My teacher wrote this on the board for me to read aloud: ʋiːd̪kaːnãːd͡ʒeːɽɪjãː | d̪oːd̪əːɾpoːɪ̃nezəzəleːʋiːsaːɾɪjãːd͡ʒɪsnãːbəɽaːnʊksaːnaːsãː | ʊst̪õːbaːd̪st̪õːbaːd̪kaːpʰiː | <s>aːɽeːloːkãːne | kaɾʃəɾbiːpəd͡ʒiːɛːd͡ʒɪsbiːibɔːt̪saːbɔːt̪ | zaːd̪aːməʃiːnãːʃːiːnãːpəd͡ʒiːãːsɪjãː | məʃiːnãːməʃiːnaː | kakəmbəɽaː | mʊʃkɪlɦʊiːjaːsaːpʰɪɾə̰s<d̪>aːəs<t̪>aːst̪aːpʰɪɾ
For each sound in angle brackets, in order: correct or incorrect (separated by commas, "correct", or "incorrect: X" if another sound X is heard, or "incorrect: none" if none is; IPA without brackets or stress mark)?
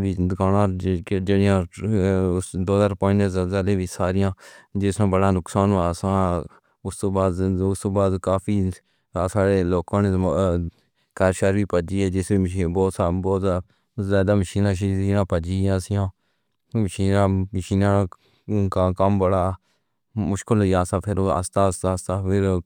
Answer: correct, incorrect: t̪, correct